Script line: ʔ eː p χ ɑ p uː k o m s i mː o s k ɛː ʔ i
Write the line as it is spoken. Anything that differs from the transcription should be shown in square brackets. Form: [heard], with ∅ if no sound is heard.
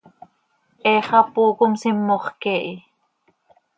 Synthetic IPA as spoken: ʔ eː [∅] χ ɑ p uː k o m s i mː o [χ] k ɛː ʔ i